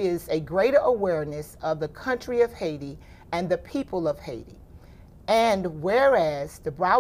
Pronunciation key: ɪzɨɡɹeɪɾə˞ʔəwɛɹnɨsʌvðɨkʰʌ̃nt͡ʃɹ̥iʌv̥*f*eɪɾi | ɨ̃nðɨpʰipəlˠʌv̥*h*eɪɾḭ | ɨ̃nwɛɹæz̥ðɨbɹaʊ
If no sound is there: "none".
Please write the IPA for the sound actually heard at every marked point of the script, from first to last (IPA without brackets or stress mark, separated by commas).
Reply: h, h